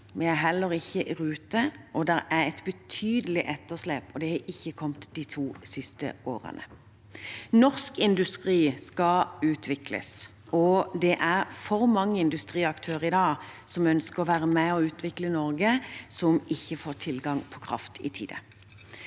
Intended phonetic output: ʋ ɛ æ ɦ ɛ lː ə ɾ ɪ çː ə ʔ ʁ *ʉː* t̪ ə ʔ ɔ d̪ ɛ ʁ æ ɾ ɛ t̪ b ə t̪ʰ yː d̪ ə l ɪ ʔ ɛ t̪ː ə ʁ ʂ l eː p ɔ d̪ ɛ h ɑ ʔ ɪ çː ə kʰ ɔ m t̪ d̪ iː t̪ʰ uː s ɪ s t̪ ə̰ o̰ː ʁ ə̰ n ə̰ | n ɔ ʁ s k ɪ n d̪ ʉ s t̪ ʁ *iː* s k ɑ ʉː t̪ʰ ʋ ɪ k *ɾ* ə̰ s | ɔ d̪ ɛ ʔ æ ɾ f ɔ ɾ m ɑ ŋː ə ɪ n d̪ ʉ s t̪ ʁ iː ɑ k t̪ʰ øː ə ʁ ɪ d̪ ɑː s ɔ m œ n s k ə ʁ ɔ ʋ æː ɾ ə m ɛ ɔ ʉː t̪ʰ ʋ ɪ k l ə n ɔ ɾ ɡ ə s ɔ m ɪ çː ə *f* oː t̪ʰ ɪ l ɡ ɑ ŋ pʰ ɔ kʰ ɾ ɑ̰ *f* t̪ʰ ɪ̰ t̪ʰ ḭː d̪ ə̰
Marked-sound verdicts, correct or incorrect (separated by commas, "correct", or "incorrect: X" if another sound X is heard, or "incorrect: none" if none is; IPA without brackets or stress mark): correct, correct, incorrect: l, correct, correct